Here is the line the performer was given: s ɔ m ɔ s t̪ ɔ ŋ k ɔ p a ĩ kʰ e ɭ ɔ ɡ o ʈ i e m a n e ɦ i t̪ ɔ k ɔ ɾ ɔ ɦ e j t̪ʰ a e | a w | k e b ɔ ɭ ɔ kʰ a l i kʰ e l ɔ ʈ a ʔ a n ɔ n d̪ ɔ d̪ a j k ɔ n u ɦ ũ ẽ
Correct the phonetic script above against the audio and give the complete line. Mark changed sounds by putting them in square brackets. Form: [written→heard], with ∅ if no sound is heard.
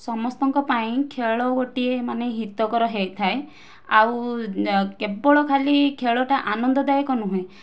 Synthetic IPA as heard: s ɔ m ɔ s t̪ ɔ ŋ k ɔ p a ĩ kʰ e ɭ ɔ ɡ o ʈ i e m a n e ɦ i t̪ ɔ k ɔ ɾ ɔ ɦ e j t̪ʰ a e | a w | k e b ɔ ɭ ɔ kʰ a l i kʰ e [l→ɭ] ɔ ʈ a ʔ a n ɔ n d̪ ɔ d̪ a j k ɔ n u ɦ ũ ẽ